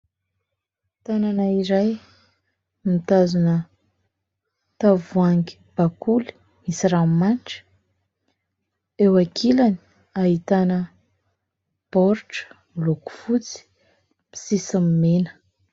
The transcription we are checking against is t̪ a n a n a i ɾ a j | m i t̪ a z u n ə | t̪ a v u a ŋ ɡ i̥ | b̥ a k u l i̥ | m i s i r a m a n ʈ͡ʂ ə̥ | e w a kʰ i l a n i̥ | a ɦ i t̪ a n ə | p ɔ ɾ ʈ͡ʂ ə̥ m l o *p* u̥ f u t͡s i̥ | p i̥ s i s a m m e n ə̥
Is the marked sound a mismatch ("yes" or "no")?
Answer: yes